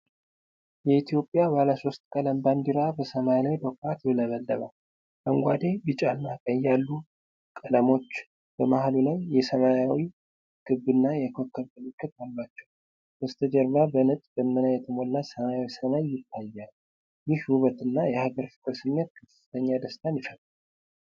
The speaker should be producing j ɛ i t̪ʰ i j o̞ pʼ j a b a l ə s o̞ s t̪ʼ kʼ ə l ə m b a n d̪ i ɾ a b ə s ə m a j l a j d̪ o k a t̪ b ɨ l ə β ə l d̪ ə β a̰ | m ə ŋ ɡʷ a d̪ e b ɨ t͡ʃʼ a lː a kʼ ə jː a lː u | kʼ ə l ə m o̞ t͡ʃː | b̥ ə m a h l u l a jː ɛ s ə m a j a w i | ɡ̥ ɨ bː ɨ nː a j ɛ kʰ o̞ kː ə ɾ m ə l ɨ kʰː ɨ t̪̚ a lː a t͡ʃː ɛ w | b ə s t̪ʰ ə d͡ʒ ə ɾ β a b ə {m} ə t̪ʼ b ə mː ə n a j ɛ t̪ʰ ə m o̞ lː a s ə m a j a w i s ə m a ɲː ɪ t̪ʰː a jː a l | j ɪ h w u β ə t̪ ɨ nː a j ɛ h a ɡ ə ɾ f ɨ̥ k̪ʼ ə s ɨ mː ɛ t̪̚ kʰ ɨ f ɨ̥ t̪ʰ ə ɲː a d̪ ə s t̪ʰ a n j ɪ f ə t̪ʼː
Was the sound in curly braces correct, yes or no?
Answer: no